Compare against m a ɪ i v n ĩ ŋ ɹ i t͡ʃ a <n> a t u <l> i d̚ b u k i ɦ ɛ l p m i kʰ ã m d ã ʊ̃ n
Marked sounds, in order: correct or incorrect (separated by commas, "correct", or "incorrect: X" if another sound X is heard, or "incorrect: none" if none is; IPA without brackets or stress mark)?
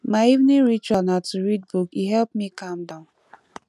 correct, incorrect: ɹ